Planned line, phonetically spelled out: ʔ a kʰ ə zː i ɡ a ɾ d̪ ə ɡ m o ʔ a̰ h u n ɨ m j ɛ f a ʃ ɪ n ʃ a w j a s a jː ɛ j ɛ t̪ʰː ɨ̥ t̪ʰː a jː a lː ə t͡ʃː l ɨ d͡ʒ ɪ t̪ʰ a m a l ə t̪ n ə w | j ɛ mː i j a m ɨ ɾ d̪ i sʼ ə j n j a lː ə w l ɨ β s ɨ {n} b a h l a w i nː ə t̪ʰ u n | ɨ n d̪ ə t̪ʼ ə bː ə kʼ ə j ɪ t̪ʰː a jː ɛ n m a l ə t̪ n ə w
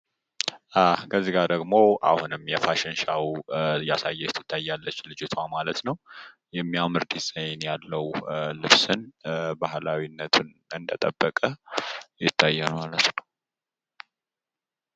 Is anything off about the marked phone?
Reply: no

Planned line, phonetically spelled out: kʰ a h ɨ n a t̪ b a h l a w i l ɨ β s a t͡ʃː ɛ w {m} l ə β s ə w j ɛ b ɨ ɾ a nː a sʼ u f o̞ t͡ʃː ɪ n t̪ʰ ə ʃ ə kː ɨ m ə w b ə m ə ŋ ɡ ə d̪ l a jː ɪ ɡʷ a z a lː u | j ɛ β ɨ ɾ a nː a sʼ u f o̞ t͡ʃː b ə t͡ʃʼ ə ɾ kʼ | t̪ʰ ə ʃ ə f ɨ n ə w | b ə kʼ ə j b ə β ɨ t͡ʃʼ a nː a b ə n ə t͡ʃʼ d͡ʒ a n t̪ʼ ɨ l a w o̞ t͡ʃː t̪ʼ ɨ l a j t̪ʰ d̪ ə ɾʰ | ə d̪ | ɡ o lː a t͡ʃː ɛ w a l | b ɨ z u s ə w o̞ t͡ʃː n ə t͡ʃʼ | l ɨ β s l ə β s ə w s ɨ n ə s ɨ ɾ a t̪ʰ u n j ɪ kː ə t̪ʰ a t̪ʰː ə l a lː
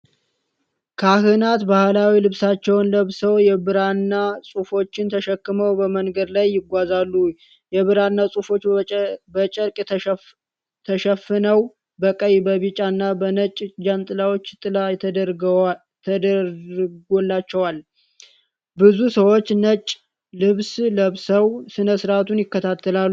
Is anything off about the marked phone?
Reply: yes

